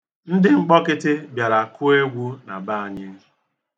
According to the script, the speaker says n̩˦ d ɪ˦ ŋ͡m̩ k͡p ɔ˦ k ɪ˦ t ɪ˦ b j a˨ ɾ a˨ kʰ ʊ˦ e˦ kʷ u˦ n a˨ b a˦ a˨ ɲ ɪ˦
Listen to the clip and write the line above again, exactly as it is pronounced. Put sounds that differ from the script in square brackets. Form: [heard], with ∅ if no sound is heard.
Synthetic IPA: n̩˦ d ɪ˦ ŋ͡m̩ k͡p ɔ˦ k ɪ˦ t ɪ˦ b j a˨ ɾ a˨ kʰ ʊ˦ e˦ [ɡʷ] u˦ n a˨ b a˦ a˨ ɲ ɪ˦